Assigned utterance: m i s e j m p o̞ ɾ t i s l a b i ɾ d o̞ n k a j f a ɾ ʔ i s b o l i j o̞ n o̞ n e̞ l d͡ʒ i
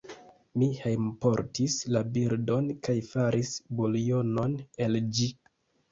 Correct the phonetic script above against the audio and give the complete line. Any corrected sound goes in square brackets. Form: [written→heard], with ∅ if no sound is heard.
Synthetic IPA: m i [s→h] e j m p o̞ ɾ t i s l a b i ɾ d o̞ n k a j f a ɾ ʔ i s b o l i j o̞ n o̞ n e̞ l d͡ʒ i